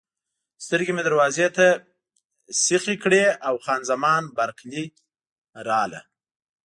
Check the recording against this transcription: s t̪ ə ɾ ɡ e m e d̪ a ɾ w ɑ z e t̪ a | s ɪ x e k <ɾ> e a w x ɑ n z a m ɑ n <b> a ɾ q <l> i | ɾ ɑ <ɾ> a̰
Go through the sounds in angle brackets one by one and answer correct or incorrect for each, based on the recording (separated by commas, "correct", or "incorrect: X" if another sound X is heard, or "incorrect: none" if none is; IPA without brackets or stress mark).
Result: incorrect: ɽ, correct, correct, incorrect: l